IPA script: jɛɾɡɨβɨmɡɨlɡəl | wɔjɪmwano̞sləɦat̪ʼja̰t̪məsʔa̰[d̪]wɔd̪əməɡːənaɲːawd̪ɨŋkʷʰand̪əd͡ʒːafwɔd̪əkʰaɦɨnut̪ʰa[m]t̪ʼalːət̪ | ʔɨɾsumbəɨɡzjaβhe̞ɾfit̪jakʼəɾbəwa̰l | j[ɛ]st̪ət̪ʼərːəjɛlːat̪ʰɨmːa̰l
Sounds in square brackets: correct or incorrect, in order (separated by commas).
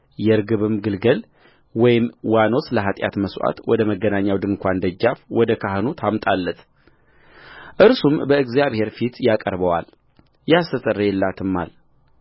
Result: incorrect, correct, incorrect